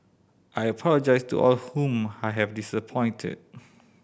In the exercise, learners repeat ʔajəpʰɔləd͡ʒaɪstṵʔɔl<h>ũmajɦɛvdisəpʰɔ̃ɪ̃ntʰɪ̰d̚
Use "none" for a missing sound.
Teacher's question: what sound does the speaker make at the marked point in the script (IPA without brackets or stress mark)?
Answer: h